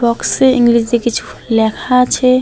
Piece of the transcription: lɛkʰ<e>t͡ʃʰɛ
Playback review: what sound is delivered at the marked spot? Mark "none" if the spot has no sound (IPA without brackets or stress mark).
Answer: a